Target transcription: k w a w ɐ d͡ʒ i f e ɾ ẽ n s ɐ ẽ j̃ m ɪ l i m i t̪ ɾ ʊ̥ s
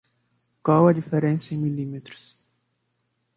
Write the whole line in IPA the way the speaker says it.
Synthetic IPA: k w a w ɐ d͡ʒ i f e ɾ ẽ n s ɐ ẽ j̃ m i l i m e t̪ ɾ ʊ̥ s